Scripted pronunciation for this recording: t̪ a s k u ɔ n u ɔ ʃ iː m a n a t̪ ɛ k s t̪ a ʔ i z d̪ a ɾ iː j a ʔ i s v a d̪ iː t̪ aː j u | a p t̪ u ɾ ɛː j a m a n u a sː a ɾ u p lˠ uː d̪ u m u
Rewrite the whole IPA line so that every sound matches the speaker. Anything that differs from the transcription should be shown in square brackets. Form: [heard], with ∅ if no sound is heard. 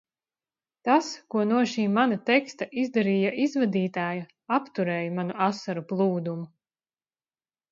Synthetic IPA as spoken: t̪ a s k u ɔ n u ɔ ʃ iː m a n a t̪ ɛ k s t̪ a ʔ i z d̪ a ɾ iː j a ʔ i [z] v a d̪ iː t̪ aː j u | a p t̪ u ɾ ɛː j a m a n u a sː a ɾ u p lˠ uː d̪ u m u